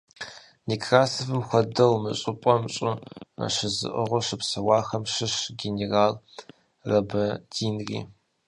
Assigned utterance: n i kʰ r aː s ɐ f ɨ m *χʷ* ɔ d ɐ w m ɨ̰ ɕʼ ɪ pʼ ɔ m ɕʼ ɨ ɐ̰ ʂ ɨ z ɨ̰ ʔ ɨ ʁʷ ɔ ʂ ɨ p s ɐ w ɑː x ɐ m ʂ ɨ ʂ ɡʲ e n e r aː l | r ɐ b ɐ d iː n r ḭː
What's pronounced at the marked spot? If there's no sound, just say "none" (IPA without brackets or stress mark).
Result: xʷ